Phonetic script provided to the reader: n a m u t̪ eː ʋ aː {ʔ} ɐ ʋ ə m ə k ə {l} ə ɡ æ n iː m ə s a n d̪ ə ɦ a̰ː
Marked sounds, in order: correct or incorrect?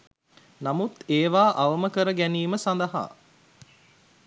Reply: correct, incorrect

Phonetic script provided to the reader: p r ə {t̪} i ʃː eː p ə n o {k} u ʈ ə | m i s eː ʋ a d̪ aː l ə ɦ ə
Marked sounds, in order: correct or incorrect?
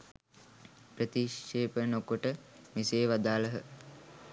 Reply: correct, correct

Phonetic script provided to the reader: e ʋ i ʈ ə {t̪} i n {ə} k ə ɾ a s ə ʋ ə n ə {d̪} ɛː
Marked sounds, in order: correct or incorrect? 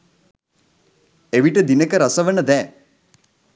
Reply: incorrect, correct, correct

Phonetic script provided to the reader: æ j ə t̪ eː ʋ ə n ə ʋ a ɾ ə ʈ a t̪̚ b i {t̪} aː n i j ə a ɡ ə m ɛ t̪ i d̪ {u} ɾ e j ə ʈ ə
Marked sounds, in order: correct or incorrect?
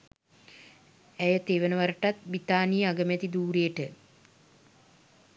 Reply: correct, incorrect

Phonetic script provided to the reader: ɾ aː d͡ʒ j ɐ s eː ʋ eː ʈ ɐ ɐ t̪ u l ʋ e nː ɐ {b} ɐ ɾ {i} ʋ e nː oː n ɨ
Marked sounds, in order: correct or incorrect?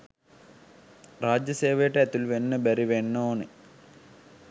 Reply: correct, correct

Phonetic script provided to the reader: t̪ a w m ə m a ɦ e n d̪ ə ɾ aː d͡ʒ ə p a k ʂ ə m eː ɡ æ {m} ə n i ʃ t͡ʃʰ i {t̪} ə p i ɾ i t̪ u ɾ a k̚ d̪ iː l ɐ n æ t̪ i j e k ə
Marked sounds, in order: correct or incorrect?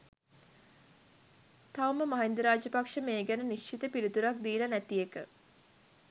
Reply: incorrect, correct

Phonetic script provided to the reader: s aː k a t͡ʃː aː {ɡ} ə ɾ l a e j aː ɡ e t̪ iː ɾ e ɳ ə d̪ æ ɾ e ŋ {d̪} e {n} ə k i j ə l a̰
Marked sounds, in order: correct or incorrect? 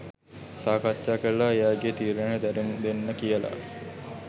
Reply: incorrect, correct, incorrect

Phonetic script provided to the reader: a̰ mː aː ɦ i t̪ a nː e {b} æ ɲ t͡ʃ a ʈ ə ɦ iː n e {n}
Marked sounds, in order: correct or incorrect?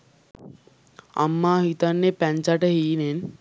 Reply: incorrect, correct

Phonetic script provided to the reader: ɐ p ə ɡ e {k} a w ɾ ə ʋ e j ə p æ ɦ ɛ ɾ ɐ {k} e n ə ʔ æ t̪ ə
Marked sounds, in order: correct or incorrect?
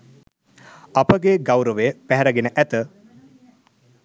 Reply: incorrect, incorrect

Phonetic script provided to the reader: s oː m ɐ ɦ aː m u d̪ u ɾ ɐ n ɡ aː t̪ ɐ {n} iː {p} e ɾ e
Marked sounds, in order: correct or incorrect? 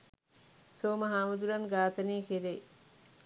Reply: correct, incorrect

